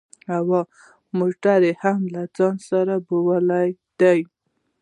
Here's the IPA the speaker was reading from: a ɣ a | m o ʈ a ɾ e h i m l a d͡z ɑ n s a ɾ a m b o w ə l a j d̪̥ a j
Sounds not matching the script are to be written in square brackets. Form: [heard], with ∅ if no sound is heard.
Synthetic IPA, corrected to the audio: a [w] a | m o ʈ a ɾ e h [a] m l a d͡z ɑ n s a ɾ a [∅] b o w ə l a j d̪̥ a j